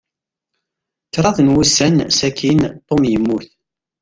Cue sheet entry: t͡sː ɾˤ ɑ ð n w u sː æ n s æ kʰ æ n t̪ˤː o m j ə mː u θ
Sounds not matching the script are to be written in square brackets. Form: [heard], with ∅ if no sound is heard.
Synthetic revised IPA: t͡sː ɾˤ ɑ ð n w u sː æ n s æ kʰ [i] n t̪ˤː o m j ə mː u θ